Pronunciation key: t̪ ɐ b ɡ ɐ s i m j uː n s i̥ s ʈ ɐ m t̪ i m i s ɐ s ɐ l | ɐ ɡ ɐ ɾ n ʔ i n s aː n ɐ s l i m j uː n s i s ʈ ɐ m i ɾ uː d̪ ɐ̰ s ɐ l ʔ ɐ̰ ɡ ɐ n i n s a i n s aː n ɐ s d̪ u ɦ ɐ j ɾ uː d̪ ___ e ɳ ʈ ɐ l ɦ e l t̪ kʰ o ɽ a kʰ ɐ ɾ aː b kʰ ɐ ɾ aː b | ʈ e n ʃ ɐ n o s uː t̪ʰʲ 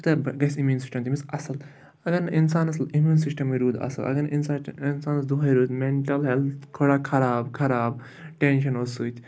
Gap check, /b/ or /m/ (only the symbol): m